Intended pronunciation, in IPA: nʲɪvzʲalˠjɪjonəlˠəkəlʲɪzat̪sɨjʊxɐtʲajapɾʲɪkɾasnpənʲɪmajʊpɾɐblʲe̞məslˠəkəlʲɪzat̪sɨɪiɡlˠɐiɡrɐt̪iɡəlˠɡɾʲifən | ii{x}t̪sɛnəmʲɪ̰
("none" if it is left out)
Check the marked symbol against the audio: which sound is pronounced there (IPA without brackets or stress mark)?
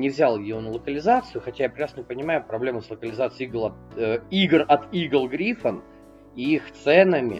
x